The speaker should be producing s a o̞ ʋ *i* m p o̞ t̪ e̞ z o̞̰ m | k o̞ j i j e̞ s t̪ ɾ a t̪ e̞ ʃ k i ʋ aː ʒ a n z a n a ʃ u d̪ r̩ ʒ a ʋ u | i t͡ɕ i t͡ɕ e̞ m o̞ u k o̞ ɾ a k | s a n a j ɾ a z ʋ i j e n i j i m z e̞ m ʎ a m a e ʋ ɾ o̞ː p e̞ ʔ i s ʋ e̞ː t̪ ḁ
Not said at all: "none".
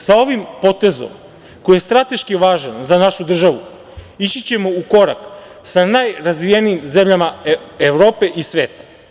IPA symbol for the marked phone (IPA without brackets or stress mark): i